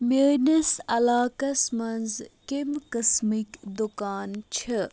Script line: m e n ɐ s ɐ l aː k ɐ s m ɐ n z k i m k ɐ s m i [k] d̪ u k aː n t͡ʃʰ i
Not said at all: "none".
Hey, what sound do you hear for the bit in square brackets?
k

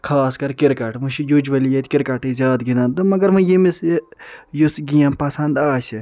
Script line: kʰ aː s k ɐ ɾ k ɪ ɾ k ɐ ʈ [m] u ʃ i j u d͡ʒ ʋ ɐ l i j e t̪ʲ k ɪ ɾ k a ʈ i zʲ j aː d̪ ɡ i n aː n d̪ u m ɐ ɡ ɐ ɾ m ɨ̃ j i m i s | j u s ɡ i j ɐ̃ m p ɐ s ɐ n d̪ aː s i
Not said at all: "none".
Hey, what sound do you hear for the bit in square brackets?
m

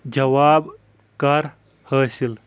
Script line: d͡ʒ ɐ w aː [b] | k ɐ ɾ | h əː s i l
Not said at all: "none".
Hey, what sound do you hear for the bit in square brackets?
b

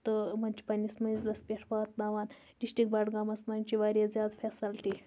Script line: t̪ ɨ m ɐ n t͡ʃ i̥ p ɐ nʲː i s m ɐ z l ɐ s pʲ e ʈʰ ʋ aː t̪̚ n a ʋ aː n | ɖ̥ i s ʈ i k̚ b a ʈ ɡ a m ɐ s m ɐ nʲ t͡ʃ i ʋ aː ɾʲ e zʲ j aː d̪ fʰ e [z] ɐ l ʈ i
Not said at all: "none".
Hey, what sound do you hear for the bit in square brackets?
s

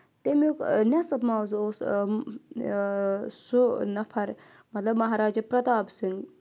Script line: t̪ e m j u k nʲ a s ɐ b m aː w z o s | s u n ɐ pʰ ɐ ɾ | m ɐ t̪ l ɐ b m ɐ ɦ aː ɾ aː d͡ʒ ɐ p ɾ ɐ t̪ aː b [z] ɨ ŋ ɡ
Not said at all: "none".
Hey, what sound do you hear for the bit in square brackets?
s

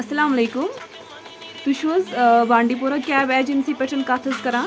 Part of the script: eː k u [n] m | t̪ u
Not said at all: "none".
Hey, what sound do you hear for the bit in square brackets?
none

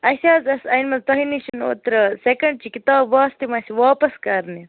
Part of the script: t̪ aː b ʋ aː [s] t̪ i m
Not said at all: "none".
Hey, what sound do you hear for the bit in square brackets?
s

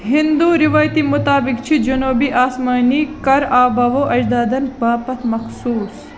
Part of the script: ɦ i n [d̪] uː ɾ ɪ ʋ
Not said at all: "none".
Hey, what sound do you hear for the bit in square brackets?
d̪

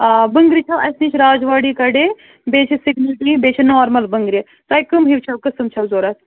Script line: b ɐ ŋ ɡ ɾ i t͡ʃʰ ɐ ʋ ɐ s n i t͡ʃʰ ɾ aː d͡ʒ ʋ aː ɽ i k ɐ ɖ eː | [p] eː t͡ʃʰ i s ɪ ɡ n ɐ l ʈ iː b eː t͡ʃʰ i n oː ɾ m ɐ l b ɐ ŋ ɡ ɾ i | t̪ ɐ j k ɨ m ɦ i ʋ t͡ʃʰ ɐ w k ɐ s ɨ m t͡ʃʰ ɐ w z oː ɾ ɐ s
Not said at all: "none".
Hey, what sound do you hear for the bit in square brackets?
b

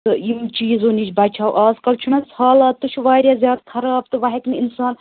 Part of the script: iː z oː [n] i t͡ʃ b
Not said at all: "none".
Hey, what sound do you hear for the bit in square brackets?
n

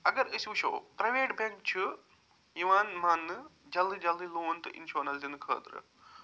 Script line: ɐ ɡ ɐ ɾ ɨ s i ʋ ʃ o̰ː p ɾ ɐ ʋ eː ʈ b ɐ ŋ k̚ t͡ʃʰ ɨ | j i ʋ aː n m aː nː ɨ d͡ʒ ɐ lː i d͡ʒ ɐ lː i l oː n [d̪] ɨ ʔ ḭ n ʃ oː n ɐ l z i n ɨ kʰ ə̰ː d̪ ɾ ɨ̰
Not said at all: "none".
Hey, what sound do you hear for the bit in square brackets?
t̪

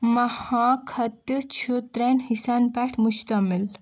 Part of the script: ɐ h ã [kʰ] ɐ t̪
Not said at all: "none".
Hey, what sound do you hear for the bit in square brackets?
kʰ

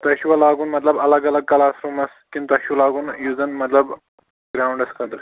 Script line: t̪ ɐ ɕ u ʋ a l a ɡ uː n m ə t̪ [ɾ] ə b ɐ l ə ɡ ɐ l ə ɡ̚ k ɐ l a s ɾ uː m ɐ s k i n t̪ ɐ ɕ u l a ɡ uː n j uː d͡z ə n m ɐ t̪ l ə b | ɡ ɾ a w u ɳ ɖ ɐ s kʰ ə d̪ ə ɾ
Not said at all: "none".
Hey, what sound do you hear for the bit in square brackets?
l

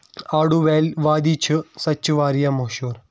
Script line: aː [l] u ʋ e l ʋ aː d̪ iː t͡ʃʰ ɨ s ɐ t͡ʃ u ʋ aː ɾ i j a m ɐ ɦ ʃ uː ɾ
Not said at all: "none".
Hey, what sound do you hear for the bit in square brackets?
ɽ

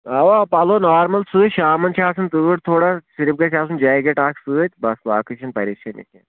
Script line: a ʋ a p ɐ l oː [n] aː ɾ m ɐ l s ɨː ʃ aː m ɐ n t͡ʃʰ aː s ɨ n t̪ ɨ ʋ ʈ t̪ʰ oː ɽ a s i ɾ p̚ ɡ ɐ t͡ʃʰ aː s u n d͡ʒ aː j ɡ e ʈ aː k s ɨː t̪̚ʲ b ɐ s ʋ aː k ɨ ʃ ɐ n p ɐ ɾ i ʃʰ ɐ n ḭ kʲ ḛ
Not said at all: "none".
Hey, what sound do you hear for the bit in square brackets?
n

